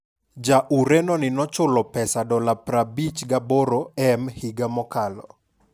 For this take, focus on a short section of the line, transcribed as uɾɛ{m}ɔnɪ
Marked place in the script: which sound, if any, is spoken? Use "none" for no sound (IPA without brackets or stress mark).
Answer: n